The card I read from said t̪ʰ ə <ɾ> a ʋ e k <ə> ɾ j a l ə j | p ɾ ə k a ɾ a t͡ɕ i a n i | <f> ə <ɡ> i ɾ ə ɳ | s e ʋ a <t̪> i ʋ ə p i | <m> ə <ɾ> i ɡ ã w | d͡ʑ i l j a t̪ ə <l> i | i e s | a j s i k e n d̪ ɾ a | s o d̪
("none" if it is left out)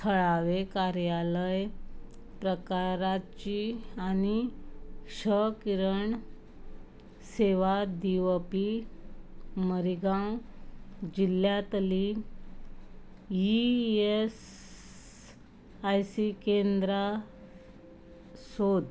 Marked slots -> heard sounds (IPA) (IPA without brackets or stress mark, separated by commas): ɭ, a, ɕ, k, d̪, m, ɾ, l